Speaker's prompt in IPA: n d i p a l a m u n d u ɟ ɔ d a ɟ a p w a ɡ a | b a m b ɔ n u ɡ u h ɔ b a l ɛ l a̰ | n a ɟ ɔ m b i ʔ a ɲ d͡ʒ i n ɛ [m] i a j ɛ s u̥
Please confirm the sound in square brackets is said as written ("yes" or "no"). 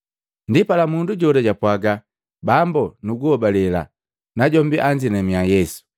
yes